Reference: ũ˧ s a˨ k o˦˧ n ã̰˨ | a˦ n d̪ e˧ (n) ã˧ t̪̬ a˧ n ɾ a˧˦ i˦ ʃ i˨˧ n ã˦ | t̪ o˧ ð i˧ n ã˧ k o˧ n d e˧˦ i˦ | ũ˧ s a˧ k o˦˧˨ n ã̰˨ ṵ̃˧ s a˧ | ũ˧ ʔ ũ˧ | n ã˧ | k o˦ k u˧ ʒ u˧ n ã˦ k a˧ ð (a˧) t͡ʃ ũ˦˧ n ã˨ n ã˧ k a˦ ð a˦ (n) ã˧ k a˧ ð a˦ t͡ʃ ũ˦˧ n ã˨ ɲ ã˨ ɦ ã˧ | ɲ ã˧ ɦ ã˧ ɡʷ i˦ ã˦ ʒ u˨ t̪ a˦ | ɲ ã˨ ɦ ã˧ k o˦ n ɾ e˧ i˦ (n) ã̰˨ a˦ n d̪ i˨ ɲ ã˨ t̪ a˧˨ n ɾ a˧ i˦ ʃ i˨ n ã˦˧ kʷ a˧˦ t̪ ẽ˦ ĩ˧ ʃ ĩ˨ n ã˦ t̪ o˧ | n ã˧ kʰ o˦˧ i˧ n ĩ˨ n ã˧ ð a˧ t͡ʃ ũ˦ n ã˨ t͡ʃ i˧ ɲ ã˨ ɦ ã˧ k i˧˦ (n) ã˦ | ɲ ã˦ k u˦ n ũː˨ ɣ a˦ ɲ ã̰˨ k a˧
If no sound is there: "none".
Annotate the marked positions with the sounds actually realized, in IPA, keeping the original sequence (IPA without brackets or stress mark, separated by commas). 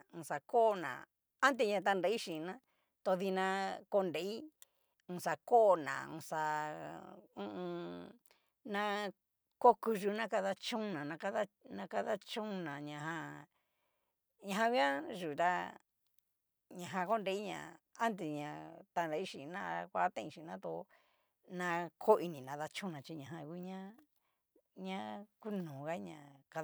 ɲ, a˧, n, ɲ, ɲ